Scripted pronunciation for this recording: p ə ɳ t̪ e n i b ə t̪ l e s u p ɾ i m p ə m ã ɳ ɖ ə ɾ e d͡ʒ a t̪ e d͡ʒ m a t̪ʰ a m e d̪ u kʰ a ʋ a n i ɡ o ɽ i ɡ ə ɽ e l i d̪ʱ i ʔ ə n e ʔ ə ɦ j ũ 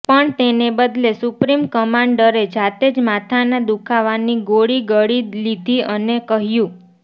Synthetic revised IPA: p ə ɳ t̪ e n e b ə d̪ l e s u p ɾ i m k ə m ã ɳ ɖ ə ɾ e d͡ʒ a t̪ e d͡ʒ m a t̪ʰ a n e d̪ u kʰ a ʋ a n i ɡ o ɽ i ɡ ə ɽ i l i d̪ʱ i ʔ ə n e k ə ɦ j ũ